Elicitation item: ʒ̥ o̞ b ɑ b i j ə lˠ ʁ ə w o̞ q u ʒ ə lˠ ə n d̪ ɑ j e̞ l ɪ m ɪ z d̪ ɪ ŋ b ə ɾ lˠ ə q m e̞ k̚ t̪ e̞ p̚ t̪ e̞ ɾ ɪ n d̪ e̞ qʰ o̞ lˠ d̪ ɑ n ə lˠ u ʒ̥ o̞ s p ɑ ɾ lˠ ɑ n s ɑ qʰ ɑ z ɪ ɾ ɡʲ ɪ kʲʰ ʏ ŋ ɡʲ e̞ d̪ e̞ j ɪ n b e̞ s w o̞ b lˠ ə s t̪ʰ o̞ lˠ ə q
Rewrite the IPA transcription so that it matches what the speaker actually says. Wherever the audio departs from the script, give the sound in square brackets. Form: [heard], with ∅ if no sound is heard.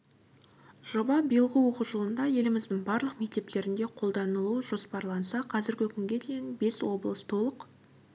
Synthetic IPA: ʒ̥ o̞ b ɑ b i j ə lˠ ʁ ə w o̞ q u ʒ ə lˠ ə n d̪ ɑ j e̞ l ɪ m ɪ z d̪ ɪ ŋ b [ɑ] ɾ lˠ ə q m e̞ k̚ t̪ e̞ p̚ t̪ e̞ ɾ ɪ n d̪ e̞ qʰ o̞ lˠ d̪ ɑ n ə lˠ u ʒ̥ o̞ s p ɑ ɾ lˠ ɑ n s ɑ qʰ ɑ z ɪ ɾ ɡʲ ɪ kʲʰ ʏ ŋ ɡʲ e̞ d̪ e̞ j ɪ n b e̞ s w o̞ b lˠ ə s t̪ʰ o̞ lˠ ə q